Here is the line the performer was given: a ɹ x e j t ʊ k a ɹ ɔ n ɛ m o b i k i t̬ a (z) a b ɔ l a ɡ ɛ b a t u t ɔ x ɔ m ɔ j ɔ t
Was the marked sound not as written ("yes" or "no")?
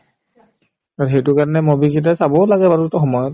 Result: yes